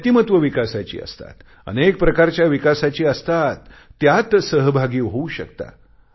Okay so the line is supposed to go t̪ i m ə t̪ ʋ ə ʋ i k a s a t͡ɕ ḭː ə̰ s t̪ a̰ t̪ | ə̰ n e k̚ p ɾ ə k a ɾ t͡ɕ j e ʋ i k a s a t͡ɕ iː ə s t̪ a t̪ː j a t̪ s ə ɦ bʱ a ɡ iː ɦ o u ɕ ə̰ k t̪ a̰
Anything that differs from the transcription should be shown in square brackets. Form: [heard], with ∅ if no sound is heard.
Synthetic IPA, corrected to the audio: t̪ i m ə t̪ ʋ ə ʋ i k a s a t͡ɕ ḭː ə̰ s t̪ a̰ t̪ | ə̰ n e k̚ p ɾ ə k a ɾ t͡ɕ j [a] ʋ i k a s a t͡ɕ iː ə s t̪ a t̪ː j a t̪ s ə ɦ bʱ a ɡ iː ɦ o u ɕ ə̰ k t̪ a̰